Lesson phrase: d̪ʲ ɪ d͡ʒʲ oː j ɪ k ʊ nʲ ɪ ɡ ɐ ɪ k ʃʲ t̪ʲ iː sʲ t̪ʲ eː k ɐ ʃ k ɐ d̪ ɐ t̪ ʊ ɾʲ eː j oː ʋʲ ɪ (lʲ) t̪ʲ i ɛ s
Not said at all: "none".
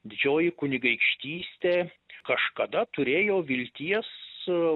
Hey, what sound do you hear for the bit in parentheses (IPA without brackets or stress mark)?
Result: lʲ